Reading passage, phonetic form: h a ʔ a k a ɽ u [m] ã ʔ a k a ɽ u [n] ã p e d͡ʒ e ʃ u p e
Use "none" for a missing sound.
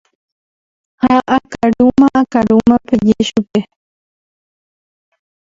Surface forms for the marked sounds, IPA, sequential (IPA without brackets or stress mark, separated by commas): m, m